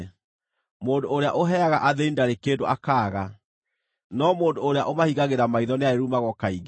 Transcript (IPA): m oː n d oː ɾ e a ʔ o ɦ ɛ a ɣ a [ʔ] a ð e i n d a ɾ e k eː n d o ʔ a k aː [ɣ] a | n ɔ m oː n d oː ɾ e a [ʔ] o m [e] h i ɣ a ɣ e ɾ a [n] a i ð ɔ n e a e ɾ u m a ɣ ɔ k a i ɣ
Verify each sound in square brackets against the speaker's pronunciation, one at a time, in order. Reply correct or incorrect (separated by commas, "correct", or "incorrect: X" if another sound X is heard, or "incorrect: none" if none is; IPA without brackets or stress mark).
correct, correct, correct, incorrect: a, incorrect: m